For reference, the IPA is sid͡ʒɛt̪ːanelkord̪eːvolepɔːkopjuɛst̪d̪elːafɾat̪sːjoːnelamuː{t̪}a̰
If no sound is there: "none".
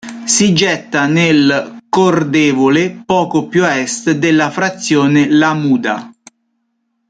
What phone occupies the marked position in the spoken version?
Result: d̪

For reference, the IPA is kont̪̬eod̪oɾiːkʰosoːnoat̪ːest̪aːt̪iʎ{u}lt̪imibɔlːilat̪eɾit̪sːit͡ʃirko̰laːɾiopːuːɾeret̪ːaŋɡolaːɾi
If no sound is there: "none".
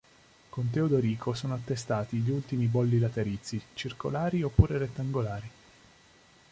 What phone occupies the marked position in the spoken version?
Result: u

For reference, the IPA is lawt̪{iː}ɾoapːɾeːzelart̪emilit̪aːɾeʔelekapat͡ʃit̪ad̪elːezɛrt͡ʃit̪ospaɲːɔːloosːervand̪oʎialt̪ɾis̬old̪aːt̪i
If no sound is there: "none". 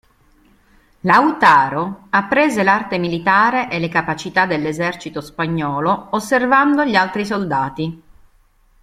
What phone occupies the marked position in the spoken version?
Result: aː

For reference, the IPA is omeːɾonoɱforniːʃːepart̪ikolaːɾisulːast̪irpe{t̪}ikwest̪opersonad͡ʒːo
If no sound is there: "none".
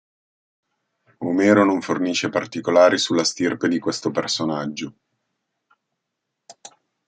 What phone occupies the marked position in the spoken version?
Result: d̪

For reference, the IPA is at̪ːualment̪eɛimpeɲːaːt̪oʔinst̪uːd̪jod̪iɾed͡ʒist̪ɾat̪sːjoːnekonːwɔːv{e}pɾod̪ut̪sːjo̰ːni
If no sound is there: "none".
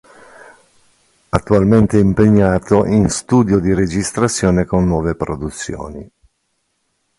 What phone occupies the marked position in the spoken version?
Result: e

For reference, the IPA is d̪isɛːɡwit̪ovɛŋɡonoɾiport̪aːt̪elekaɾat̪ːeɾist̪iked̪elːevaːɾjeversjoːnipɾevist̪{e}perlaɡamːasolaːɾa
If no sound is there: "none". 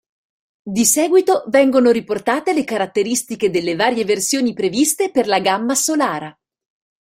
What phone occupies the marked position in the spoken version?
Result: e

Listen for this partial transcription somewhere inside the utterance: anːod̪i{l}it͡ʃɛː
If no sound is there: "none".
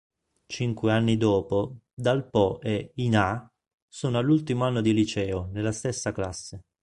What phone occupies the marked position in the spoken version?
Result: l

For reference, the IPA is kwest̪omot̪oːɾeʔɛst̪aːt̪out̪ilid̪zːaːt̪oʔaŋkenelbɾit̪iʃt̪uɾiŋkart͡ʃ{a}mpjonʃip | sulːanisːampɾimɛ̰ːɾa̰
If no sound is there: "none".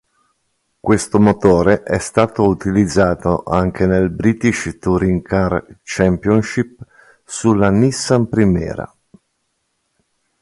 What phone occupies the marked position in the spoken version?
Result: ɛ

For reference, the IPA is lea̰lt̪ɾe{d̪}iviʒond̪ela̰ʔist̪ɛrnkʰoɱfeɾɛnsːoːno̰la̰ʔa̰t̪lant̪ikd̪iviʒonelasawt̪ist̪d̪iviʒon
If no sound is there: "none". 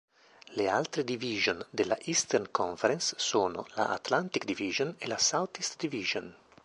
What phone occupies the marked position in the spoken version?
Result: d̪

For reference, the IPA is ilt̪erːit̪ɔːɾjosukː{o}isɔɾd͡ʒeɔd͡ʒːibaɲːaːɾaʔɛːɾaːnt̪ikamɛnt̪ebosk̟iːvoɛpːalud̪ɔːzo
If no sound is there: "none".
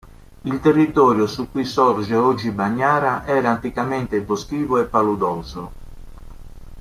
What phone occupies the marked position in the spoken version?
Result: u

